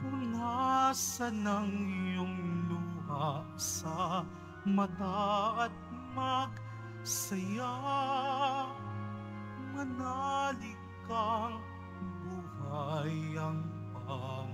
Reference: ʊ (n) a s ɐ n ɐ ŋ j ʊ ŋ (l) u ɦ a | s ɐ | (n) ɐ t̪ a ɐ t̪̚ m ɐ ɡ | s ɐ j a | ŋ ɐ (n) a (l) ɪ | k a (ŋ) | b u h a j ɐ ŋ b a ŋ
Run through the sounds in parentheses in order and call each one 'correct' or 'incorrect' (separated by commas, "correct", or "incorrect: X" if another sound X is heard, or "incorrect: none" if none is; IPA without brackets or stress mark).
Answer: correct, correct, incorrect: m, correct, correct, correct